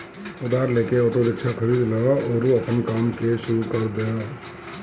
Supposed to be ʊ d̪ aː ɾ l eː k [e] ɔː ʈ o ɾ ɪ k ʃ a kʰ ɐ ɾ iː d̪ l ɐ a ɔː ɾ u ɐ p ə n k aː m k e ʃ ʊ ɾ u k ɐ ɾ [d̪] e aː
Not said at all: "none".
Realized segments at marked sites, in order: e, d̪

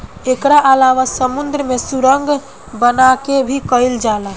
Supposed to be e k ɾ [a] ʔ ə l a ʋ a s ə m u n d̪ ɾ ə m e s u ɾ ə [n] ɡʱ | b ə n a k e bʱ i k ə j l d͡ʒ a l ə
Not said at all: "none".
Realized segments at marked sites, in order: a, ŋ

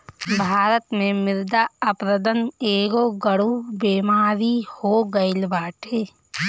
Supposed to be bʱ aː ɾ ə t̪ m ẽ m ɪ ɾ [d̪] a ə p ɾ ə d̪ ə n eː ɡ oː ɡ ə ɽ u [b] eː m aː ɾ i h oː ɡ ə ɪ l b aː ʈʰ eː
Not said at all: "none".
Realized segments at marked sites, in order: d̪, b

